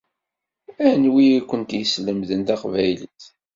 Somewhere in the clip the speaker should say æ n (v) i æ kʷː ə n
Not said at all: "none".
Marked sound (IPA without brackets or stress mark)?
w